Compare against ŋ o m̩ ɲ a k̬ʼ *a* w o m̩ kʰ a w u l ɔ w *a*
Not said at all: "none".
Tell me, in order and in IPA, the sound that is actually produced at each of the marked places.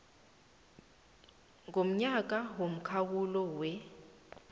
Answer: a, ɛ

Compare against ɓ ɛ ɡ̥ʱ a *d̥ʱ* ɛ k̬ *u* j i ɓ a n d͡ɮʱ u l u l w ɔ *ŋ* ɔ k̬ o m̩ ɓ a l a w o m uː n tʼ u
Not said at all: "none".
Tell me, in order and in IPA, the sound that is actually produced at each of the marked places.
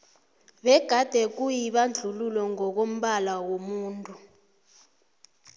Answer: d̥ʱ, u, ŋ

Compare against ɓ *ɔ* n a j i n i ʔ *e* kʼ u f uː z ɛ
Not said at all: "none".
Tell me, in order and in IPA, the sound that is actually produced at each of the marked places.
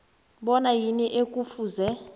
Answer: ɔ, e

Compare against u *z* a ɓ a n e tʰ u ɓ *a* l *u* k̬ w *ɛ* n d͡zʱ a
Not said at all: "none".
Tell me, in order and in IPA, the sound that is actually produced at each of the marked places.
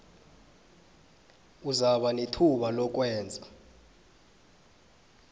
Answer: z, a, ɔ, ɛː

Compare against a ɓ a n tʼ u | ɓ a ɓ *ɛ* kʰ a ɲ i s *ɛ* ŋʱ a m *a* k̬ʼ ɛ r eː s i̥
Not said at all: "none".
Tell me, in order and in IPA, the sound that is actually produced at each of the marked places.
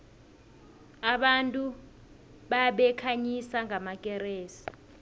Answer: ɛ, a, a

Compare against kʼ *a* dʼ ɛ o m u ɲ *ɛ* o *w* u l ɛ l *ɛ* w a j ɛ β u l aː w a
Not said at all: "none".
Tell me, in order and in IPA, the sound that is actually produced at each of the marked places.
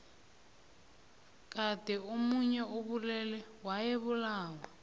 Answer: a, ɛ, β, ɛ

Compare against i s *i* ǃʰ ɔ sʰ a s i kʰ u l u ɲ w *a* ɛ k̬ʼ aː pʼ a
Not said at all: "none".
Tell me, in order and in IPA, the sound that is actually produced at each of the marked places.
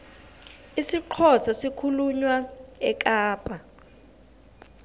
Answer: i, a

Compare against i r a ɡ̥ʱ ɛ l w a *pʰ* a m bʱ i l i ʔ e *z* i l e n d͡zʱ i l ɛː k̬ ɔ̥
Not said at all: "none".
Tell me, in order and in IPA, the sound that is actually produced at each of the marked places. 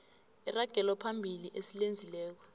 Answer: pʰ, s

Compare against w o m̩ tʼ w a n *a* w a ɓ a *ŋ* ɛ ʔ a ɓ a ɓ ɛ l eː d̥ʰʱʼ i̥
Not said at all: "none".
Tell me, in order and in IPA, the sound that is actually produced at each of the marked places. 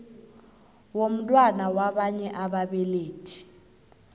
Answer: a, ɲ

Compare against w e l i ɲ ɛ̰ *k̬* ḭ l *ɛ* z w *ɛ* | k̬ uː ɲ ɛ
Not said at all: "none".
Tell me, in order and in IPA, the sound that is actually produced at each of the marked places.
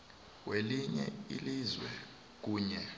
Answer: none, i, ɛ

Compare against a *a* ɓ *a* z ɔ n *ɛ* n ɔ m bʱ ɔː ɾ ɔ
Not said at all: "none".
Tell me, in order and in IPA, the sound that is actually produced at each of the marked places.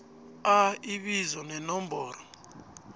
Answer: i, i, ɛ

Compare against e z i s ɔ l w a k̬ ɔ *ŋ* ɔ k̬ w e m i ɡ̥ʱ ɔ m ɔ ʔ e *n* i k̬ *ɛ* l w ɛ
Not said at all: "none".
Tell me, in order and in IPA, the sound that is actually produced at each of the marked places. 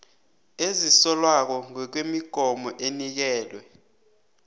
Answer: ŋ, n, ɛː

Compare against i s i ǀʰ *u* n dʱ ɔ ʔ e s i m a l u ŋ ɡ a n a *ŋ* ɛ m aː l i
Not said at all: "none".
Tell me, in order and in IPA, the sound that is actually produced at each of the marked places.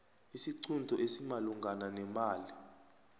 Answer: u, n

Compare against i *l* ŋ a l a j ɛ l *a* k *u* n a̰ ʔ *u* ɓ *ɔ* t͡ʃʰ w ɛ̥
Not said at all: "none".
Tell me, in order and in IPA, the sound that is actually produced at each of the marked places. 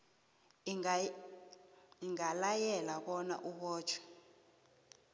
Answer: none, a, ɔ, u, ɔː

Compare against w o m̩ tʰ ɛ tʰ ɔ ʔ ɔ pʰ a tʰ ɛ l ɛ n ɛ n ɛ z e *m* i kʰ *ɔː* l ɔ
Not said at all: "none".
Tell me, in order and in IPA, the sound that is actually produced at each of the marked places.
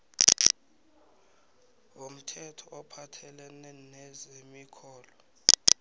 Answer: m, ɔː

